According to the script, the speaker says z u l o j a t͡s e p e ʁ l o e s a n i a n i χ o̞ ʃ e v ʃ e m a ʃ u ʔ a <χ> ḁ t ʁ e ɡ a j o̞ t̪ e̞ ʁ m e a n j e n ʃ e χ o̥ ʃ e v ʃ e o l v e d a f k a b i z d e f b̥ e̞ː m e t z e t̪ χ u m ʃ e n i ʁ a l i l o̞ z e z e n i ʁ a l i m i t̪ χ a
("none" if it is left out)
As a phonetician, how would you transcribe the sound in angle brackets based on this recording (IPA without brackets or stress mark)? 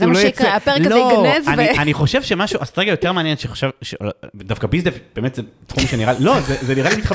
s